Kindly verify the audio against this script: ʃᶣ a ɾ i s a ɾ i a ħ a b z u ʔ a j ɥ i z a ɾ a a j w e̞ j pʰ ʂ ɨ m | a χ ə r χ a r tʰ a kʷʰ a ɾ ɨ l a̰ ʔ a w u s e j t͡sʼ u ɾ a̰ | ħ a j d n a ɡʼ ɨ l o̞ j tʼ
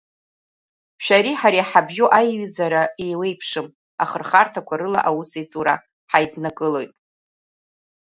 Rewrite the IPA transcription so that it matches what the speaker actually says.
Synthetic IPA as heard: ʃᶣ a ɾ i ħ a ɾ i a ħ a b ʒ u ʔ a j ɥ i z a ɾ a e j w e̞ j pʰ ʂ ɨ m | a χ ə r χ a r tʰ a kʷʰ a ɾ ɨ l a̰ ʔ a w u s e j t͡sʼ u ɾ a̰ | ħ a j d n a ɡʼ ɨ l o̞ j tʼ